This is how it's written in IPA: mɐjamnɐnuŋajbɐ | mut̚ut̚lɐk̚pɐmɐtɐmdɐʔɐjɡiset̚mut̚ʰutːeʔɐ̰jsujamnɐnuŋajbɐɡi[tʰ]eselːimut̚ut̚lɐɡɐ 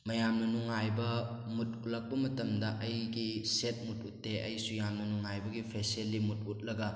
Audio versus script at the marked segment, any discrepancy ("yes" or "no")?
yes